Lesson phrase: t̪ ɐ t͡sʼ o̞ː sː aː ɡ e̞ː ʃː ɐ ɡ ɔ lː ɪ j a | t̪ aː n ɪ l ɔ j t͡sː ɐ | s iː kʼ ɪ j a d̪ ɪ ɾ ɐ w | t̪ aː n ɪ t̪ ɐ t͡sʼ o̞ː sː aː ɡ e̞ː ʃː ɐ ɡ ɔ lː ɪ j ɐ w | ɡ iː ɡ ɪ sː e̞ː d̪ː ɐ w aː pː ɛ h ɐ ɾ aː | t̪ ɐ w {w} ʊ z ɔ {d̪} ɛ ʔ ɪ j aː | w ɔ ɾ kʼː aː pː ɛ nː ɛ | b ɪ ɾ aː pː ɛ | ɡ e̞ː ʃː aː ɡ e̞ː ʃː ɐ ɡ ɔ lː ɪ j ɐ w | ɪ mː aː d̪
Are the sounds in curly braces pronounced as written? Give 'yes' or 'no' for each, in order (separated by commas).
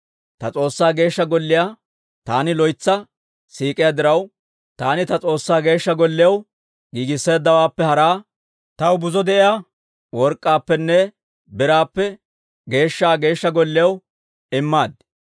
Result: no, yes